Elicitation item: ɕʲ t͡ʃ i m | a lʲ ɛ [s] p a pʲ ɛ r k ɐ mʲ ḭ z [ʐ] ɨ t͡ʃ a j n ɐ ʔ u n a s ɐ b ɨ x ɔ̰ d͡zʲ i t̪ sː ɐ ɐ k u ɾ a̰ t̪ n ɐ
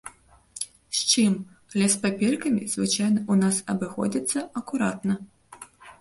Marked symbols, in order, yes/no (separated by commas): yes, no